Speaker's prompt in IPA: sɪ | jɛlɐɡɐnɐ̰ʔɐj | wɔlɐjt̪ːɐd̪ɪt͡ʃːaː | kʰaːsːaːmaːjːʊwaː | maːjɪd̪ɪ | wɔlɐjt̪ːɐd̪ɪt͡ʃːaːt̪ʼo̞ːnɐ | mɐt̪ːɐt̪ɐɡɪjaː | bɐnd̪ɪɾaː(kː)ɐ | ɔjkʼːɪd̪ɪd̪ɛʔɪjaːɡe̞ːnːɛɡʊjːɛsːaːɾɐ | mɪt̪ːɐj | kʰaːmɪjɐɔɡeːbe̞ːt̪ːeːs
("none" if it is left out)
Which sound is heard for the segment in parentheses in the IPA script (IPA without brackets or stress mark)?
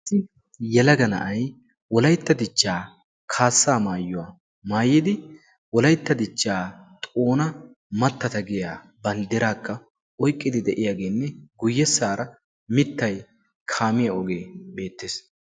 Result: kː